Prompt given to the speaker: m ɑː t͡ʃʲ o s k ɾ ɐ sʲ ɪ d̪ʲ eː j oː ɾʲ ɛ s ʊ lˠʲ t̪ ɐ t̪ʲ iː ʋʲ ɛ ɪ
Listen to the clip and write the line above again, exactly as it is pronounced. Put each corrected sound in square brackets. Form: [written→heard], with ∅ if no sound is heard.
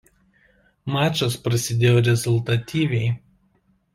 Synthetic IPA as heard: m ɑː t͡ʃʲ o s [k→p] ɾ ɐ sʲ ɪ d̪ʲ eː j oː ɾʲ ɛ [s→z] ʊ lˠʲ t̪ ɐ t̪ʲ iː ʋʲ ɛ ɪ

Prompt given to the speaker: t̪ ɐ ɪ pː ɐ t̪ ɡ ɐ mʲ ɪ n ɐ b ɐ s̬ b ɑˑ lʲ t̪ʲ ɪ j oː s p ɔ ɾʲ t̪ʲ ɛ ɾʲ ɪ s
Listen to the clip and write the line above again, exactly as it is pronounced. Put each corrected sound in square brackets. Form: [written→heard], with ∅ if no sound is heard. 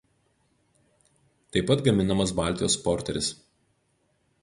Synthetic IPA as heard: t̪ ɐ ɪ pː ɐ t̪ ɡ ɐ mʲ ɪ n ɐ [b→m] ɐ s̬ b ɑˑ lʲ t̪ʲ ɪ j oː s p ɔ ɾʲ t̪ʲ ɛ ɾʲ ɪ s

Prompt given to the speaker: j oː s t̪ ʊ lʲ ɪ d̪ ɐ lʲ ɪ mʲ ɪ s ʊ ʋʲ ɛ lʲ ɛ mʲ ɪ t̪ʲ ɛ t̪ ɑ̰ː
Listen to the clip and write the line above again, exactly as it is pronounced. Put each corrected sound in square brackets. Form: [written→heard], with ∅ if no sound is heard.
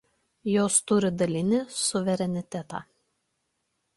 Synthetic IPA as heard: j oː s t̪ ʊ [lʲ→ɾʲ] ɪ d̪ ɐ lʲ ɪ [mʲ→nʲ] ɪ s ʊ ʋʲ ɛ [lʲ→ɾʲ] ɛ [mʲ→nʲ] ɪ t̪ʲ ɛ t̪ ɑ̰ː

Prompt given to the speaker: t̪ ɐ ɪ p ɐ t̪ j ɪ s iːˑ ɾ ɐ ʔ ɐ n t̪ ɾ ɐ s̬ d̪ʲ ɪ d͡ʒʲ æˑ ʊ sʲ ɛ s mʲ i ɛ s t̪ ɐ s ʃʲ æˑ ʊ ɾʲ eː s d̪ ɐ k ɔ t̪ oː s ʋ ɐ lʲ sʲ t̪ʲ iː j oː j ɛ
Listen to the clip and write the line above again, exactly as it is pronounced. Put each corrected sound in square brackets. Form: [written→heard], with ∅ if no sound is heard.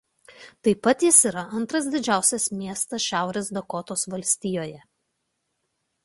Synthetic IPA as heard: t̪ ɐ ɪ p ɐ t̪ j ɪ s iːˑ ɾ ɐ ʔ ɐ n t̪ ɾ ɐ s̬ d̪ʲ ɪ d͡ʒʲ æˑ ʊ sʲ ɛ s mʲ i ɛ s t̪ ɐ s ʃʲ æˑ ʊ ɾʲ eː s d̪ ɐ k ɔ t̪ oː s ʋ ɐ lʲ sʲ t̪ʲ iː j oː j ɛ

